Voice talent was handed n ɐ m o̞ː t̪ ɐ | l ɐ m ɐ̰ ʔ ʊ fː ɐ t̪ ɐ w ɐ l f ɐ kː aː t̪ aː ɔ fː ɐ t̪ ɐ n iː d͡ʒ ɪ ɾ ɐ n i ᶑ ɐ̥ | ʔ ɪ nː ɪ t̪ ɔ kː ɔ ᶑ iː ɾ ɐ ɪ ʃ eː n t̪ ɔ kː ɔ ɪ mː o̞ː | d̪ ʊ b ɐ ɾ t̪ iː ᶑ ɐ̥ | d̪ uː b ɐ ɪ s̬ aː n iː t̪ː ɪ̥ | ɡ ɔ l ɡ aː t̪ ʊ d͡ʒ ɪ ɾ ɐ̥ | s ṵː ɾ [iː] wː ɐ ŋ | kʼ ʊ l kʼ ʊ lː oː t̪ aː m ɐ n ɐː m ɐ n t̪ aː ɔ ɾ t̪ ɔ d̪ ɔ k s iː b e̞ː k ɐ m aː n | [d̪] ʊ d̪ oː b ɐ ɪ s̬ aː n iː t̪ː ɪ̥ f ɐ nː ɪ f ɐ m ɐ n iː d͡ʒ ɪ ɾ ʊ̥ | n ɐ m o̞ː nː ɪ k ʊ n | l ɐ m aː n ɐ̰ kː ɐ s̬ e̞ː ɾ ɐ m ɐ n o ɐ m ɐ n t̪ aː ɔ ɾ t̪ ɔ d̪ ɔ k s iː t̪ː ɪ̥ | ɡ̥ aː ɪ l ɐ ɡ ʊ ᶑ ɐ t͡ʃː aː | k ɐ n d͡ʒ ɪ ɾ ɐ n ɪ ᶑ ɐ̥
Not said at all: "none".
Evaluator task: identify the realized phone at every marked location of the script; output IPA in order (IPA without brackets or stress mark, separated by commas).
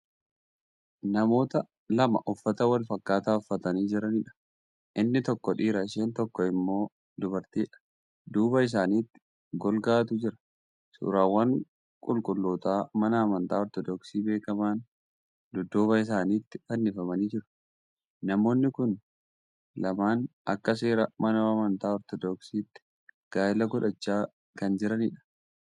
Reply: aː, d̪